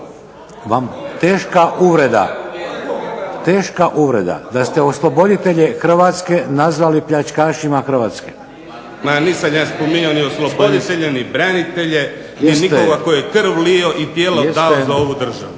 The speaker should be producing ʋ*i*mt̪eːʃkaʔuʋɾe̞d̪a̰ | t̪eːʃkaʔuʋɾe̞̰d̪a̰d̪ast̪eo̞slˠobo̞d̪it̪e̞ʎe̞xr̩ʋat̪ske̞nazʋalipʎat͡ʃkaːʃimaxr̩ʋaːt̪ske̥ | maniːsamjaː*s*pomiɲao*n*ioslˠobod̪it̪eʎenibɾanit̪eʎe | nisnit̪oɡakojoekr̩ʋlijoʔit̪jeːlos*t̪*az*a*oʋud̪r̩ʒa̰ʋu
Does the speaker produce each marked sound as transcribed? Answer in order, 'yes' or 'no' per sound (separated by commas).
no, yes, yes, no, yes